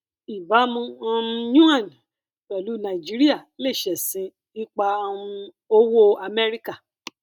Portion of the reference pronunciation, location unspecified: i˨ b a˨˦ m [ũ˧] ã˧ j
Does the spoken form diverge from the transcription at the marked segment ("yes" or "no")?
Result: no